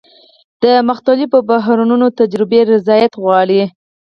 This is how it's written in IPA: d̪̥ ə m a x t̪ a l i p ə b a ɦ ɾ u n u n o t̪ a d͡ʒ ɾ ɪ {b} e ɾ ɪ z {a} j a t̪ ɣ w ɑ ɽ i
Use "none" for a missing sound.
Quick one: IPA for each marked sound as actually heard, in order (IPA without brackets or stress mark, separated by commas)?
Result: b, ɑ